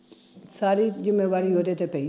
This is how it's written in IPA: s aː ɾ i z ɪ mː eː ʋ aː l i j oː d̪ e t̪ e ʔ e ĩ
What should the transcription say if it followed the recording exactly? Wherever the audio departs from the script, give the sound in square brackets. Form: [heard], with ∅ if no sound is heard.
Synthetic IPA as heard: s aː ɾ i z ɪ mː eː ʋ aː [ɾ] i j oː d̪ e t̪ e [p] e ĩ